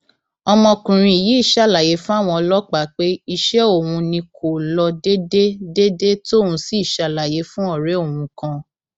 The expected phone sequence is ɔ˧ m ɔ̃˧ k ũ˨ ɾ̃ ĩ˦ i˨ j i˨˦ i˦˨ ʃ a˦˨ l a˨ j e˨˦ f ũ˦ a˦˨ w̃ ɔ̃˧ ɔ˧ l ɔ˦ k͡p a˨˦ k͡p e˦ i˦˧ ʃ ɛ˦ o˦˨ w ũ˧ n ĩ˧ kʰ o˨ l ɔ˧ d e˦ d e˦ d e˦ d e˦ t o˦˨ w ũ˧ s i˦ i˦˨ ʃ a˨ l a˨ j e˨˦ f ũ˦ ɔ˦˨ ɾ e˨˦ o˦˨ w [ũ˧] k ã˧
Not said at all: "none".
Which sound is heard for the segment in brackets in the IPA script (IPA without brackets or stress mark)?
ũ˧